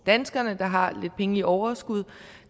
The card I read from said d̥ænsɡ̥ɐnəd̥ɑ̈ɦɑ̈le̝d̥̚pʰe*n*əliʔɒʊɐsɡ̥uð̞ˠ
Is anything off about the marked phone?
yes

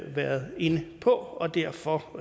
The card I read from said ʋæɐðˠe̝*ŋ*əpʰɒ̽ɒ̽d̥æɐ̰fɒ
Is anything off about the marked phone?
yes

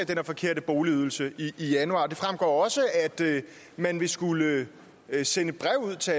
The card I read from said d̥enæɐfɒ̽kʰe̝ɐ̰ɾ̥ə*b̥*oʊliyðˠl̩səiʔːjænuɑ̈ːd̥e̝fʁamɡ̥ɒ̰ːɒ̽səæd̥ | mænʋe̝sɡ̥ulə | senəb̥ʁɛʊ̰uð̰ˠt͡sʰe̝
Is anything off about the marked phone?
no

